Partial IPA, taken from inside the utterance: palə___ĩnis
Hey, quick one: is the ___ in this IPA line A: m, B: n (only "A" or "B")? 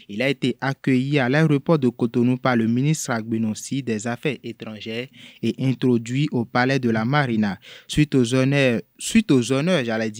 A